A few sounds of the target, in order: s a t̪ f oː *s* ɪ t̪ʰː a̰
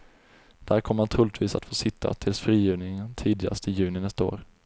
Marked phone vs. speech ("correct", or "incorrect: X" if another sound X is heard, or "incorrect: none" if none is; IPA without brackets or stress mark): correct